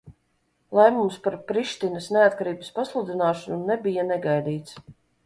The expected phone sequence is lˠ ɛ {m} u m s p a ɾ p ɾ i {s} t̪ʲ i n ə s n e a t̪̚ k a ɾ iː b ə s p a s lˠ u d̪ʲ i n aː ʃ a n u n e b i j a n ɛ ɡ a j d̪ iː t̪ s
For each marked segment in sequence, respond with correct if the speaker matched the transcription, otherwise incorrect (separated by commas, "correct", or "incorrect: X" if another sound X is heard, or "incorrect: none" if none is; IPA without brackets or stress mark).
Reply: correct, incorrect: ʃ